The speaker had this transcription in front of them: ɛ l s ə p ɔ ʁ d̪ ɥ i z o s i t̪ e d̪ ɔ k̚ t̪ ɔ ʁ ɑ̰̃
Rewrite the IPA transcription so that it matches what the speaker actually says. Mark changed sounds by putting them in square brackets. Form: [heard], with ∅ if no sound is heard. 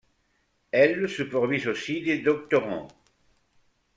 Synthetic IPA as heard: ɛ l s ə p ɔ ʁ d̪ ɥ i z o s i [d̪] e d̪ ɔ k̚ t̪ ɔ ʁ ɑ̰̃